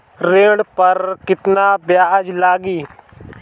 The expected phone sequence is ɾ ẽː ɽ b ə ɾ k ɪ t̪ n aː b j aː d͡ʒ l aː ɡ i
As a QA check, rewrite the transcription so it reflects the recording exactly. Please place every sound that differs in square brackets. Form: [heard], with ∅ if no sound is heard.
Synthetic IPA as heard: ɾ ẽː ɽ [p] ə ɾ k ɪ t̪ n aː b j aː d͡ʒ l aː ɡ [iː]